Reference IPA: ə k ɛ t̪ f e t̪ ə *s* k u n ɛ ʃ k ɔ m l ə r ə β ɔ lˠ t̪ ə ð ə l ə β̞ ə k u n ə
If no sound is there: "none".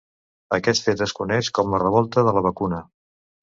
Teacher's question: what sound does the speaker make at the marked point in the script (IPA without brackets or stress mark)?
s